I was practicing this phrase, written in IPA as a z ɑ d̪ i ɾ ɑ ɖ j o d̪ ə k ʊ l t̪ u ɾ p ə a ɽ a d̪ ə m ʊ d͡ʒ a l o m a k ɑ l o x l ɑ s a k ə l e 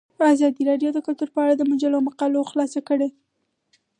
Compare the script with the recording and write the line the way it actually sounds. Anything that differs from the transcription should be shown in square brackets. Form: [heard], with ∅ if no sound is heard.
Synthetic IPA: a z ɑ d̪ i ɾ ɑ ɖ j o d̪ ə k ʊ l t̪ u ɾ p ə a ɽ a d̪ ə m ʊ d͡ʒ a l o m a [q] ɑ l o x l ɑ s a k ə [ɽ] e